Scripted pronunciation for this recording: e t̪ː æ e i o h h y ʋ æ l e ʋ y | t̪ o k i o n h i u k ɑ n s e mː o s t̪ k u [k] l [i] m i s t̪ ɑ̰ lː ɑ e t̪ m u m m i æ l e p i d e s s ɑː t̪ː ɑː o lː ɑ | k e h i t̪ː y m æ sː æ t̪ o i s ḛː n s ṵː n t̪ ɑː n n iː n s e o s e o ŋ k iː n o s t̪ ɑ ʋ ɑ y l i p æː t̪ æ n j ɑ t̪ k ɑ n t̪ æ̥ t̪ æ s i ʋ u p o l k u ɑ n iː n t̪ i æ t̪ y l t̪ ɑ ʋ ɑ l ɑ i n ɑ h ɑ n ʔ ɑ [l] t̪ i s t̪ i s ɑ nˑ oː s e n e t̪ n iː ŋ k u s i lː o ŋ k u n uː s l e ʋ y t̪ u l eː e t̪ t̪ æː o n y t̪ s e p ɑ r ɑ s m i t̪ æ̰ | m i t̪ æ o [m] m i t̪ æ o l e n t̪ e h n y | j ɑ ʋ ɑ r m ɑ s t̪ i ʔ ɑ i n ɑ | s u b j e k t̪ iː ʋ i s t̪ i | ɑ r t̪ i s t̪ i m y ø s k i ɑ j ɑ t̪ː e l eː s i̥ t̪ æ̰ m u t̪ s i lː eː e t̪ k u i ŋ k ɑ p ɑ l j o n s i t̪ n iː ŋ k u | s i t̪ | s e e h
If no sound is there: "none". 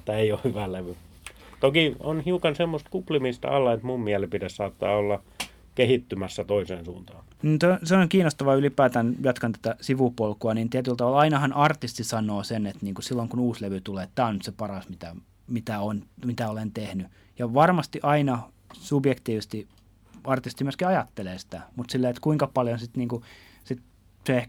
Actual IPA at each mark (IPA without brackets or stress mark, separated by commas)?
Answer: p, i, r, n